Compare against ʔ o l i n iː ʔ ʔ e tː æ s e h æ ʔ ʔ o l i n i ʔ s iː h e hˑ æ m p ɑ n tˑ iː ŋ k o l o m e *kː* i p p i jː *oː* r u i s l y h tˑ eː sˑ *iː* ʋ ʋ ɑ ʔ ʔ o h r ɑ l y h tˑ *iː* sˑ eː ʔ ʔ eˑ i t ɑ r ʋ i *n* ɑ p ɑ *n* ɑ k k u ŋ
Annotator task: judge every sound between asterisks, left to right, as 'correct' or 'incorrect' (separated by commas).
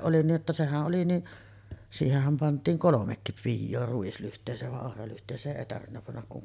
correct, correct, incorrect, incorrect, incorrect, incorrect